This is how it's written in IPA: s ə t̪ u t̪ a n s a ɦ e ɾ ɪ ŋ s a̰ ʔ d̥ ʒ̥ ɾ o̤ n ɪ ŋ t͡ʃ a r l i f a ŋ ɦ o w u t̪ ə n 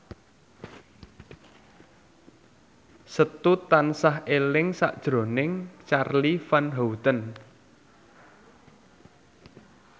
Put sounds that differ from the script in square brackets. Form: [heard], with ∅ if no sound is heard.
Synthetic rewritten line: s ə t̪ u t̪ a n s a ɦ e [l] ɪ ŋ s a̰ ʔ d̥ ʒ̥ ɾ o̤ n ɪ ŋ t͡ʃ a r l i f a [n] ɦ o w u t̪ ə n